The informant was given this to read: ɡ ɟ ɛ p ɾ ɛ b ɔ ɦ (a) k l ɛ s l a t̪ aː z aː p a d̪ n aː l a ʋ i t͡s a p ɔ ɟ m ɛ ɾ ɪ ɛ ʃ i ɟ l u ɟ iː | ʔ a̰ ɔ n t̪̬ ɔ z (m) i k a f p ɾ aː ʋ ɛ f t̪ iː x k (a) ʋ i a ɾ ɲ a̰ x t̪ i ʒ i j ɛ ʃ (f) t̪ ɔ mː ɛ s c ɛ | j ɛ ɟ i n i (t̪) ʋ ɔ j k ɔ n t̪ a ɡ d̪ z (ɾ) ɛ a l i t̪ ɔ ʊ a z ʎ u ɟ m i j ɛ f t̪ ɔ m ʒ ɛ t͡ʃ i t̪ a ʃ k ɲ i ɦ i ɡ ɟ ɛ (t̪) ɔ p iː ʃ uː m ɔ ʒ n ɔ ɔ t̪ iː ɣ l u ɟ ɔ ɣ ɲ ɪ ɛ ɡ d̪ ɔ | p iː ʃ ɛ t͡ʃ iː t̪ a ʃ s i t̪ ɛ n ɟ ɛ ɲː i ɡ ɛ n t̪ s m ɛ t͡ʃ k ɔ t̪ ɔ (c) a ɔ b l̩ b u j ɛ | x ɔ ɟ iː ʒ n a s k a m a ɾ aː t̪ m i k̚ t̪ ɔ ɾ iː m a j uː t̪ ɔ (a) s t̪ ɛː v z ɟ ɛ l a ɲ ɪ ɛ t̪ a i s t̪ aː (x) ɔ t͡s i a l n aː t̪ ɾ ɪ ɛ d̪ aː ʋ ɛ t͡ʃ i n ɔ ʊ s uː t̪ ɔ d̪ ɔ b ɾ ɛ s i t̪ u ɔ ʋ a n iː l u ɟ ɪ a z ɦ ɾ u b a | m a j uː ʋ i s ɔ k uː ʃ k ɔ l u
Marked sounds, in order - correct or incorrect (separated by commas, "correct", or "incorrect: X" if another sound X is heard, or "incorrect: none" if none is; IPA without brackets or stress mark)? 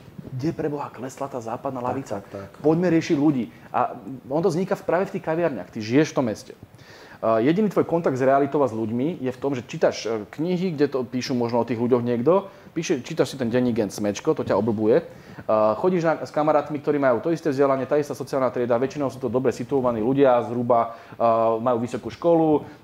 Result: correct, incorrect: ɲ, correct, correct, correct, correct, correct, correct, incorrect: i, incorrect: s